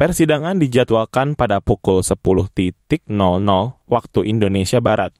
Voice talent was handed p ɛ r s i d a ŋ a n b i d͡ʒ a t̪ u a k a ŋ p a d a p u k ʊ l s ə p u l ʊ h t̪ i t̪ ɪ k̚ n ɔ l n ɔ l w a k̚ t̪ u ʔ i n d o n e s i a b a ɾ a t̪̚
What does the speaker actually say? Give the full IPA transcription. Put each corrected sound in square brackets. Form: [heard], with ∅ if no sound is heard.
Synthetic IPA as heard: p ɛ r s i d a ŋ a n [d] i d͡ʒ a t̪ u a k a [n] p a d a p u k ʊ l s ə p u l ʊ h t̪ i t̪ ɪ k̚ n ɔ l n ɔ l w a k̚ t̪ u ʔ i n d o n e s i a b a ɾ a t̪̚

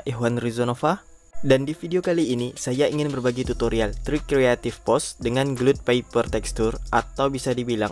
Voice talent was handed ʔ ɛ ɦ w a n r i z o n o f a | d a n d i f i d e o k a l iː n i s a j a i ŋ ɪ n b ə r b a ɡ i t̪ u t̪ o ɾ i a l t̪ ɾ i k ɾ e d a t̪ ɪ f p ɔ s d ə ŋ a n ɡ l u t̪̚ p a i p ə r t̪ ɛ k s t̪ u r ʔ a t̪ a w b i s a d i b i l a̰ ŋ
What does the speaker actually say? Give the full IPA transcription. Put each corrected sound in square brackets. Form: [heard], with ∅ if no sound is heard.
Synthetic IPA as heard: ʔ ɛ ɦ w a n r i z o n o f a | d a n d i f i d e o k a l iː n i s a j a i ŋ ɪ n b ə r b a ɡ i t̪ u t̪ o ɾ i a l t̪ ɾ i k ɾ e [∅] a t̪ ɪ f p ɔ s d ə ŋ a n ɡ l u t̪̚ p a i p ə r t̪ ɛ k s t̪ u r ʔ a t̪ a w b i s a d i b i l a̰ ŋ

